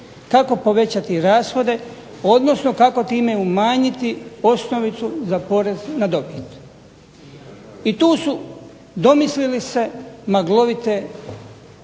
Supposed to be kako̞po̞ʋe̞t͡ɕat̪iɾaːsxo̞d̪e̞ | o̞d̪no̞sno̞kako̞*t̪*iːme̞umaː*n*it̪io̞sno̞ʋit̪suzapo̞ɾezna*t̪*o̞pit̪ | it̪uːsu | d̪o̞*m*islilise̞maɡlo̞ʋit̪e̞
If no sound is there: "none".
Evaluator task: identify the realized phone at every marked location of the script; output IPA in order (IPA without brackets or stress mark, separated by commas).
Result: t̪, ɲ, d̪, m